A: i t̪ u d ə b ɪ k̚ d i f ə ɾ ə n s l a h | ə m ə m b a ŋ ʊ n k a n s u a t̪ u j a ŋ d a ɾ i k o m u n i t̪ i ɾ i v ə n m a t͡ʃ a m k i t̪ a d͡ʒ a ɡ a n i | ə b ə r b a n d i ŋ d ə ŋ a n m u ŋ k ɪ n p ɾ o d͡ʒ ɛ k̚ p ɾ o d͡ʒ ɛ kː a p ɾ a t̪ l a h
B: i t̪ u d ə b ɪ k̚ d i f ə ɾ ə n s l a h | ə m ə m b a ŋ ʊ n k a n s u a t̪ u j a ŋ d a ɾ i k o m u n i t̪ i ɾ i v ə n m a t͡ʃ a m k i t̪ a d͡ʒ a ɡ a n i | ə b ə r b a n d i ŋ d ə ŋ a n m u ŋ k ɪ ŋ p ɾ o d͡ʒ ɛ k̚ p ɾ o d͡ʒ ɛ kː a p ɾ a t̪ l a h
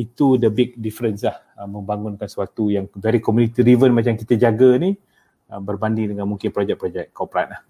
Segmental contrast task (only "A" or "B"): A